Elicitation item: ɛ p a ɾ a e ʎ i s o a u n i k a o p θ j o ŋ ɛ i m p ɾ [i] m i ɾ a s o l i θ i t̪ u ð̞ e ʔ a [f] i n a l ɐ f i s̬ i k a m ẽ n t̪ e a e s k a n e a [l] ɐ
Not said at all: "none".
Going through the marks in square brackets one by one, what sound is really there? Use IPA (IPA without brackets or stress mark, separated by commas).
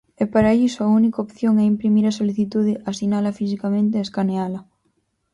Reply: i, s, l